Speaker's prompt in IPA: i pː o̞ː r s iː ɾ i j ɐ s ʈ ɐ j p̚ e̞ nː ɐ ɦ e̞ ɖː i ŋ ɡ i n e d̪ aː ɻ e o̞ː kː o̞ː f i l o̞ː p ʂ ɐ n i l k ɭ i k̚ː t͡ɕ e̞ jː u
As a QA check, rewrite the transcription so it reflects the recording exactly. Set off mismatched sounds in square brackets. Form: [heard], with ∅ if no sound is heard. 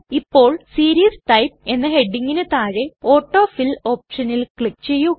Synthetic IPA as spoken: i pː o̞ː [ɭ] s iː ɾ i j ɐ s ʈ ɐ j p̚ e̞ nː ɐ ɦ e̞ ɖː i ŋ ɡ i n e [t̪] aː ɻ e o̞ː [ʈː] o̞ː f i l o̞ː p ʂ ɐ n i l k ɭ i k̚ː t͡ɕ e̞ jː u